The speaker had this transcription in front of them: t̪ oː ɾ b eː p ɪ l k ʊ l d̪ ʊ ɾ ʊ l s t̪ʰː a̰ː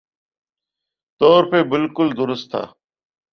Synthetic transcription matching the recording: t̪ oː ɾ p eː b ɪ l k ʊ l d̪ ʊ ɾ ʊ s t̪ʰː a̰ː